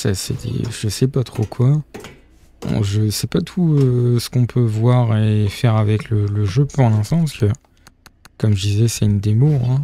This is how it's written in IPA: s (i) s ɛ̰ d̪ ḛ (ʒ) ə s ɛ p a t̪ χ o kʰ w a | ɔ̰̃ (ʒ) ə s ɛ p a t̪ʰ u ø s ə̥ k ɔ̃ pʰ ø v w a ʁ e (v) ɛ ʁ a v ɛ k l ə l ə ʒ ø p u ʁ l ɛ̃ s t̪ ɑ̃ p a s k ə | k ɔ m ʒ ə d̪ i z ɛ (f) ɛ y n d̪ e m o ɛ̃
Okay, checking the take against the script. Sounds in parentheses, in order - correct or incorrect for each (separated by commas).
incorrect, correct, correct, incorrect, incorrect